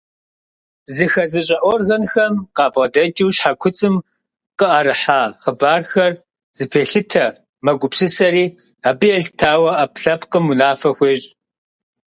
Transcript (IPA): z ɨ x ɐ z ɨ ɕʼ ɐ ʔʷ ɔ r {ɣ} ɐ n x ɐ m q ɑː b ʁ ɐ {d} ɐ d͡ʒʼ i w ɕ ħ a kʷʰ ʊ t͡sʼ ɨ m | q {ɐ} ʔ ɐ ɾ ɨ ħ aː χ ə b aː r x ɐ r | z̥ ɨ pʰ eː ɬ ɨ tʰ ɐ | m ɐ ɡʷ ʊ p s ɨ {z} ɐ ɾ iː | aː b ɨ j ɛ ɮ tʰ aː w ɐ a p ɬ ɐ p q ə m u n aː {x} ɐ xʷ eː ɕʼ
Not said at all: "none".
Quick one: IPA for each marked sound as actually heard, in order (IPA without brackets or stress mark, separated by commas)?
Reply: ɣ, d, ə, s, f